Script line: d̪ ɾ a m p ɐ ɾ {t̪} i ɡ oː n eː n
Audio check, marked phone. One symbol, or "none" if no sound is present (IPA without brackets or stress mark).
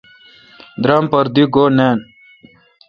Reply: d̪